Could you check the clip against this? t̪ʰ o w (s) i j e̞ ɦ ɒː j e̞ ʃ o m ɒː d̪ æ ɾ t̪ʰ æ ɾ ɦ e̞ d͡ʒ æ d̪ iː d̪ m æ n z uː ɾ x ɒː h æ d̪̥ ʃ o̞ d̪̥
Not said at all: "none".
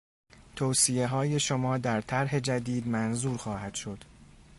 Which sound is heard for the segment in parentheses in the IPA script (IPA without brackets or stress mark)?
s